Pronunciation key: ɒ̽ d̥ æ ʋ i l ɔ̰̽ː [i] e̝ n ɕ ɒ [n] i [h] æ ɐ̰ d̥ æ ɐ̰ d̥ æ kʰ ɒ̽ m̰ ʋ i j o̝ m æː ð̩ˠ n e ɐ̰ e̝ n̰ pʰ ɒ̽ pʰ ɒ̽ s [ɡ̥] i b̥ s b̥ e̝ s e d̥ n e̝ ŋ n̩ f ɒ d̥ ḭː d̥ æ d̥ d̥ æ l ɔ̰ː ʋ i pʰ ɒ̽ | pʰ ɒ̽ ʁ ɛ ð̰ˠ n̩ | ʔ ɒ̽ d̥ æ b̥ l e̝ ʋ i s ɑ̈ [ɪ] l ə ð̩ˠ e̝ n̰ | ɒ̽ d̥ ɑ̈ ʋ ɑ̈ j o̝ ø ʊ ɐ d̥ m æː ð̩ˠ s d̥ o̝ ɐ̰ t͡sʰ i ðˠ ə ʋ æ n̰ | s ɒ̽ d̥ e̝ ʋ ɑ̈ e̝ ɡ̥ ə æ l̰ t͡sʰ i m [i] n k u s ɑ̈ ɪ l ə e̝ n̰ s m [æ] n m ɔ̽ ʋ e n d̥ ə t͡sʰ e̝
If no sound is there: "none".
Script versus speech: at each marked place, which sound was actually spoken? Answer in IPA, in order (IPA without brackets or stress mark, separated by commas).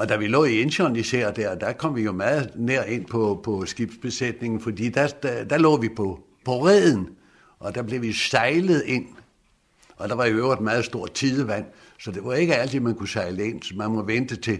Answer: i, n, s, ɡ̥, ɪ, æ, æ